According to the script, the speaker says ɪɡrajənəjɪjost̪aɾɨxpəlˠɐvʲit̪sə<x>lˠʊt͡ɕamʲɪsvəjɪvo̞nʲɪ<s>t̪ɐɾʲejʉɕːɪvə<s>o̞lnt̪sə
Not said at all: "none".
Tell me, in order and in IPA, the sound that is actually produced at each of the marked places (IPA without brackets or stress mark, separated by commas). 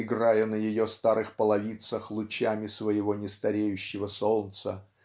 x, s, s